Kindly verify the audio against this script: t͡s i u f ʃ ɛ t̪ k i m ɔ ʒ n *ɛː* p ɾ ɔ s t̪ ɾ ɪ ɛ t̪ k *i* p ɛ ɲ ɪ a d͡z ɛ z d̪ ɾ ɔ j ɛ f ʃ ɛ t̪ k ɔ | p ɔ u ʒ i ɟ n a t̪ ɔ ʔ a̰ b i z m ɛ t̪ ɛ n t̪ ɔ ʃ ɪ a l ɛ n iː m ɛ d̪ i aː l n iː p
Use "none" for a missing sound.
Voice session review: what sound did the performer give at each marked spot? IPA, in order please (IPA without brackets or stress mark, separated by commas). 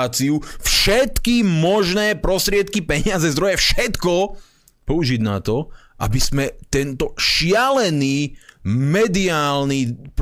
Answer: ɛː, i